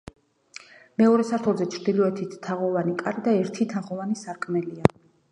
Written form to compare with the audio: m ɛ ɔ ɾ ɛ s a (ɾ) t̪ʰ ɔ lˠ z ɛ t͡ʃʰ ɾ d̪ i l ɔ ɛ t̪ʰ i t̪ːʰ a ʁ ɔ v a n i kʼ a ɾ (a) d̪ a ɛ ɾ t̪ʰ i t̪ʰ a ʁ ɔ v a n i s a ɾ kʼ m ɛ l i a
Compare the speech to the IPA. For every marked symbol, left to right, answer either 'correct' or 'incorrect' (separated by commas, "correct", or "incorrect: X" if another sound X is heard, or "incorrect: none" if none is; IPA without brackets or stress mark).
correct, incorrect: i